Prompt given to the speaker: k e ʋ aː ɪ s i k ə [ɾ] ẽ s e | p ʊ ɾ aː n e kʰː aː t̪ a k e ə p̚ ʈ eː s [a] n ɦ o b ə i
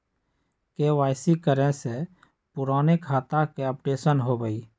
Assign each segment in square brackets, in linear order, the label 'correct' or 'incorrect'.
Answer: correct, incorrect: ə

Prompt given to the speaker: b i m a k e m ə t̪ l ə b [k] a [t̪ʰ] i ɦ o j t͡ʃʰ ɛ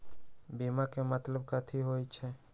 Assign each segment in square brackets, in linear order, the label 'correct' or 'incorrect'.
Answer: correct, correct

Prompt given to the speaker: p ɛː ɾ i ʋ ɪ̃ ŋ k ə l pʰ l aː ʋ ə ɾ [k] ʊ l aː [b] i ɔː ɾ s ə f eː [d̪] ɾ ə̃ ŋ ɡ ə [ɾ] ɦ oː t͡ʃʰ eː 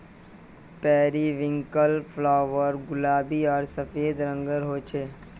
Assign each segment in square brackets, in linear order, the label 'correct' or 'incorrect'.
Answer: incorrect: ɡ, correct, correct, correct

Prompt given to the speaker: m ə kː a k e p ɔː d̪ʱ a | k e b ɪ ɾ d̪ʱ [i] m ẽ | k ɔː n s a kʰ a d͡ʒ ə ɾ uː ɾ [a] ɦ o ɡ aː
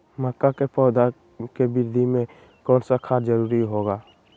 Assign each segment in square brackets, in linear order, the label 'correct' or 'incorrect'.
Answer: correct, incorrect: i

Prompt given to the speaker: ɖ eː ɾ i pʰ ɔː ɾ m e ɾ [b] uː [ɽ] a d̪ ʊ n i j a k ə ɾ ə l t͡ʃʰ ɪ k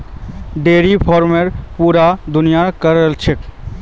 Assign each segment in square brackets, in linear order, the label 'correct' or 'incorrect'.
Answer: incorrect: p, incorrect: ɾ

